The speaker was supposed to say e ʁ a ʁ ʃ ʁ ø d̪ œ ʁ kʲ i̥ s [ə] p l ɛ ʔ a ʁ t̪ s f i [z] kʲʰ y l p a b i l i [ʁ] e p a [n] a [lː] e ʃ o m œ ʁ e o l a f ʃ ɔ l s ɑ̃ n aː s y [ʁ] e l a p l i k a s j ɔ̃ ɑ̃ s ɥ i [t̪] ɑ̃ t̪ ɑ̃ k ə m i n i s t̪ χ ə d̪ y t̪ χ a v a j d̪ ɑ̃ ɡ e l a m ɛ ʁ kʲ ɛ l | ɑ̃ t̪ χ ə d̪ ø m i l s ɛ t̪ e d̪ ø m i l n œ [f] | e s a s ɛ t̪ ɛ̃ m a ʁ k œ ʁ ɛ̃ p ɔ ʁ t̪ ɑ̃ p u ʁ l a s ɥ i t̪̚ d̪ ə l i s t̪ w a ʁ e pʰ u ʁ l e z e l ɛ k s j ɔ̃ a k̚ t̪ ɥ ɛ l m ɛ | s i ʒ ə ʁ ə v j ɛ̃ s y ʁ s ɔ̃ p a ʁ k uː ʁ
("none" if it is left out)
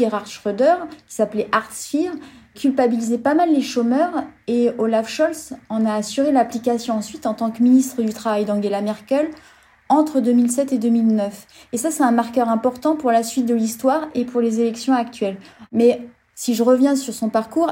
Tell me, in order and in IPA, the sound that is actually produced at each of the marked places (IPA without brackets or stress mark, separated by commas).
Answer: a, ʁ, z, m, lː, ʁ, t̪, f